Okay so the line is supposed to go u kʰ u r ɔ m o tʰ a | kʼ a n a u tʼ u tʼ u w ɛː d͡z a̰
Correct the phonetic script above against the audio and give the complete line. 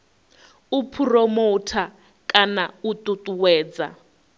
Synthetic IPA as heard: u pʰ u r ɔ m o tʰ a | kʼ a n a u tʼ u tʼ u w ɛː d͡z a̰